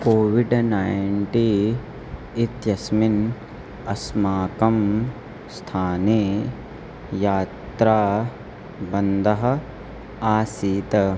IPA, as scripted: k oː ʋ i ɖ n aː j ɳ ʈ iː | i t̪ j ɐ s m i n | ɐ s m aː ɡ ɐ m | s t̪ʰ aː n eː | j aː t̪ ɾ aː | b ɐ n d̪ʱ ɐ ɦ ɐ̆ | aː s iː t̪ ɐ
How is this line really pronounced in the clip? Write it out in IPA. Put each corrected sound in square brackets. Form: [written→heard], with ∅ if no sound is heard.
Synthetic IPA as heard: k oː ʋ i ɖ n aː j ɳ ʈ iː | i t̪ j ɐ s m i n | ɐ s m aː [ɡ→k] ɐ m | s t̪ʰ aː n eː | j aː t̪ ɾ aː | b ɐ n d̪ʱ ɐ ɦ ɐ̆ | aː s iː t̪ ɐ